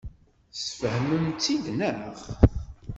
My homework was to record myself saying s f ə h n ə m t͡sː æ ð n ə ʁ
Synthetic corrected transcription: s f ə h m ə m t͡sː i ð n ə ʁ